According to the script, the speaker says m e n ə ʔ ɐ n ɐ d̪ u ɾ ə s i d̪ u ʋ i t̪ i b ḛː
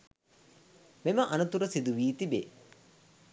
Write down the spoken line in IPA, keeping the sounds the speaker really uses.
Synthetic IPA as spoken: m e m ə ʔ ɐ n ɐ t̪ u ɾ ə s i d̪ u ʋ iː t̪ i b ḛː